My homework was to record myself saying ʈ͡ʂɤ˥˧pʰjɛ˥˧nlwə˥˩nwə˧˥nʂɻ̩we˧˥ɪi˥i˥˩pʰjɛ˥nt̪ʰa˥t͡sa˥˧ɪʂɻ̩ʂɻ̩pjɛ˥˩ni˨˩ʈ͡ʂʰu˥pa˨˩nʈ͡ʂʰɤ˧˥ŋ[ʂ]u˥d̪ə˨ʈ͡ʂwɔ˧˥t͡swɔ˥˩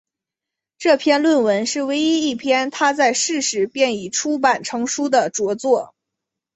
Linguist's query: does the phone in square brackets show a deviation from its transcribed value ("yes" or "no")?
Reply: no